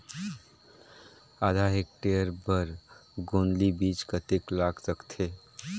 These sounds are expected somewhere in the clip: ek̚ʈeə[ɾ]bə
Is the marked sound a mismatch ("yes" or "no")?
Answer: no